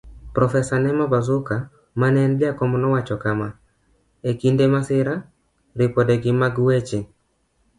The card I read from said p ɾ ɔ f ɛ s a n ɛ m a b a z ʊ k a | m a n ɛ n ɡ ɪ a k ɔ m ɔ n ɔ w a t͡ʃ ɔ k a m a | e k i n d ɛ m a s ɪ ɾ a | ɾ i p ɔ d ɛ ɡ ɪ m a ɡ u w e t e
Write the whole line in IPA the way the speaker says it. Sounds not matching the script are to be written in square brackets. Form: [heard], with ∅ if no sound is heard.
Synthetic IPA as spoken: p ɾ ɔ f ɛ s a n ɛ m a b a z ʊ k a | m a n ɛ n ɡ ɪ a k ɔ m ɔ n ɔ w a t͡ʃ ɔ k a m a | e k i n d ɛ m a s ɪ ɾ a | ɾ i p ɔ d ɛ ɡ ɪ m a ɡ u w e [t͡ʃ] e